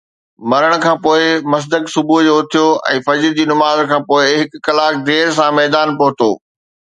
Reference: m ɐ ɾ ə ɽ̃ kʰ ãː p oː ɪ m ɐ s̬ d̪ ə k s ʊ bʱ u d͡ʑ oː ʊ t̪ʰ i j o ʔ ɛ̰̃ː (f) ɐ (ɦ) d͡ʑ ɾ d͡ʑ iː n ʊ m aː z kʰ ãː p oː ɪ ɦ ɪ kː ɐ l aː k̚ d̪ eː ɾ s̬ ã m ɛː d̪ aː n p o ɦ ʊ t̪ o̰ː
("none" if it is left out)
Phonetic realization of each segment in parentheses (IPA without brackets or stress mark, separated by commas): f, none